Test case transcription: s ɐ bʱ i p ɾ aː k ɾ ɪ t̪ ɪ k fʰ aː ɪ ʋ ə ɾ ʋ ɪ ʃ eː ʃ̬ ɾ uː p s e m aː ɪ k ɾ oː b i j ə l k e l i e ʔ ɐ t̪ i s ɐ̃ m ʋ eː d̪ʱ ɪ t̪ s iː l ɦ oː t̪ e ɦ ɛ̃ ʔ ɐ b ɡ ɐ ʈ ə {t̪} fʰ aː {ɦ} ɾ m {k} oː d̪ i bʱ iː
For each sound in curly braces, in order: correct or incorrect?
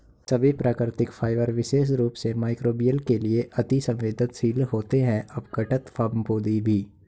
correct, incorrect: none, incorrect: p

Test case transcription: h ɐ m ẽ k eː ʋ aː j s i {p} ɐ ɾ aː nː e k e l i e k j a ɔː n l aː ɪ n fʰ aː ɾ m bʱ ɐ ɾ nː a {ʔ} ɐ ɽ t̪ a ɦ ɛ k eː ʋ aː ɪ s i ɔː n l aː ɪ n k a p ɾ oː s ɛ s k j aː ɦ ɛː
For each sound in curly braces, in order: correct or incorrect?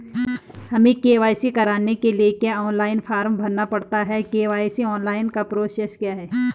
incorrect: k, incorrect: p

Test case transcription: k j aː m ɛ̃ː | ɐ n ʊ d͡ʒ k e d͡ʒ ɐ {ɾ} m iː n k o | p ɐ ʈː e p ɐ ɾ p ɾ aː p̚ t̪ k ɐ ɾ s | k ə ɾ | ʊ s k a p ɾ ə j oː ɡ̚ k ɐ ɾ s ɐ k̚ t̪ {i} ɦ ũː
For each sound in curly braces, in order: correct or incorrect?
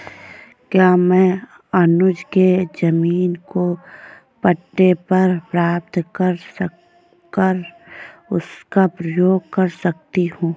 incorrect: none, correct

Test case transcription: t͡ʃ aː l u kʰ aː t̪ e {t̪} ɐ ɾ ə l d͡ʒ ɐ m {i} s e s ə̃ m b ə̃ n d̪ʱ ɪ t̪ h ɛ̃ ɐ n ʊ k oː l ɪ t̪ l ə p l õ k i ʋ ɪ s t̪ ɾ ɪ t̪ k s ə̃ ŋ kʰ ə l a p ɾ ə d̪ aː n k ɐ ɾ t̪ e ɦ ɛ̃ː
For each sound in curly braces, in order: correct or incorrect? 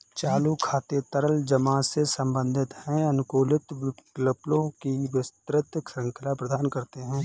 correct, incorrect: a

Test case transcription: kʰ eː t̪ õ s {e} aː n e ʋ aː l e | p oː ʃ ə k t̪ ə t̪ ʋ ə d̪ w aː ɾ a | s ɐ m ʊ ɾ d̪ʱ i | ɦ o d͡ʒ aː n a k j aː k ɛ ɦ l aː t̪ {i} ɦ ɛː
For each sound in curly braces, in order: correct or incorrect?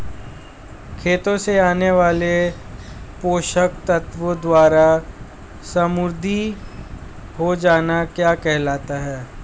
correct, incorrect: a

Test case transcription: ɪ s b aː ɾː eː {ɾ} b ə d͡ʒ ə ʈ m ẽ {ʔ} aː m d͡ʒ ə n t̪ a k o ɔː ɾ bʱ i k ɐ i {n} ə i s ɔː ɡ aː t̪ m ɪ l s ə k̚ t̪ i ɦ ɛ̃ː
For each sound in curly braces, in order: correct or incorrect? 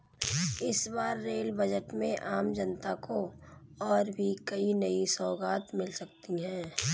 incorrect: l, correct, correct

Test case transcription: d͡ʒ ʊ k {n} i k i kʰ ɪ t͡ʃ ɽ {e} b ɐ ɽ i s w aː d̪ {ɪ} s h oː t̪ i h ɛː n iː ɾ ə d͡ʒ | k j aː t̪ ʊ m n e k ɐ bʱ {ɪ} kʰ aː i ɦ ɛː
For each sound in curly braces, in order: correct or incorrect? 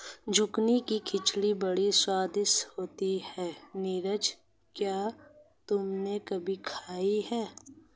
correct, incorrect: i, correct, incorrect: i

